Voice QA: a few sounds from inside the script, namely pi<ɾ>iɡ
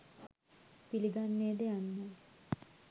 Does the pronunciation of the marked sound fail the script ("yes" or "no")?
yes